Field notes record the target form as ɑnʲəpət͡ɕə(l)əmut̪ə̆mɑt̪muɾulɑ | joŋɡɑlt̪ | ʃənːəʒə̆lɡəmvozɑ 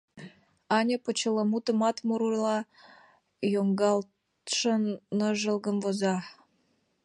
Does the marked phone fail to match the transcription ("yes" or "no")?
no